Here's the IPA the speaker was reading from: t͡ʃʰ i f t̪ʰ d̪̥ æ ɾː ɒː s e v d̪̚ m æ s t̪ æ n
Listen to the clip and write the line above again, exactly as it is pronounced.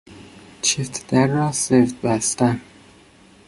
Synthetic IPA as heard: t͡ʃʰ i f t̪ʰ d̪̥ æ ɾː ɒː s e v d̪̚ b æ s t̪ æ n